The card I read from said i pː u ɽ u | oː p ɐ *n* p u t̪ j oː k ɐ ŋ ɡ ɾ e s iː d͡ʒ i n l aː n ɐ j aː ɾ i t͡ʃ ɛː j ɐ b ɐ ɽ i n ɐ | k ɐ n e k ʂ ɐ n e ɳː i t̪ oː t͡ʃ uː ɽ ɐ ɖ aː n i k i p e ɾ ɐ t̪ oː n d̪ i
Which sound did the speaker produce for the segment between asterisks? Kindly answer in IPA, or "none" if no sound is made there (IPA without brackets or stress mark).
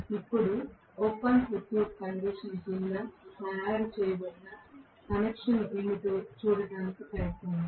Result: n